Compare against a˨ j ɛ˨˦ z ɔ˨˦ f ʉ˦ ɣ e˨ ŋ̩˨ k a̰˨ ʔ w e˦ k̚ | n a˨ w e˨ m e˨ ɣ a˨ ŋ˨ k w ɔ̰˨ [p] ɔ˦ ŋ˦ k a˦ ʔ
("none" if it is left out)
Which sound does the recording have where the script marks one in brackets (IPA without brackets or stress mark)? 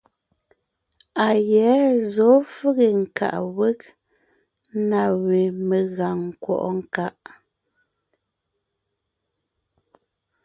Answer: ʔ